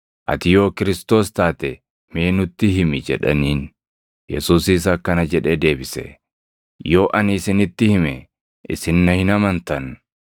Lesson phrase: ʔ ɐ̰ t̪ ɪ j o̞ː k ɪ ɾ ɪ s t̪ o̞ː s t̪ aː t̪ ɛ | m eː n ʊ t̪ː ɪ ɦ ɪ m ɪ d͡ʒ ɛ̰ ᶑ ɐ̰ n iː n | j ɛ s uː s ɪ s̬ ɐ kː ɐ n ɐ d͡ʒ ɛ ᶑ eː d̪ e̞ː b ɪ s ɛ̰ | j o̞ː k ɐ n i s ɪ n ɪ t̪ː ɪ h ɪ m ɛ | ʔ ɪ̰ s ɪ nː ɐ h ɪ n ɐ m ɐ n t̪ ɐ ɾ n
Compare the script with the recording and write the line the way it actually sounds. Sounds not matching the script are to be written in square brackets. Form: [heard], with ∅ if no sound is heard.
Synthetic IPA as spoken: ʔ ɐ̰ t̪ ɪ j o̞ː k ɪ ɾ ɪ s t̪ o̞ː s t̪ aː t̪ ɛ | m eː n ʊ t̪ː ɪ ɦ ɪ m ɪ d͡ʒ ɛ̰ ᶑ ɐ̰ n iː n | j ɛ s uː s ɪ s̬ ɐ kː ɐ n ɐ d͡ʒ ɛ ᶑ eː d̪ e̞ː b ɪ s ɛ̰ | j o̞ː [ʔ] ɐ n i s ɪ n ɪ t̪ː ɪ h ɪ m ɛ | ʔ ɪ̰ s ɪ nː ɐ h ɪ n ɐ m ɐ n t̪ ɐ [∅] n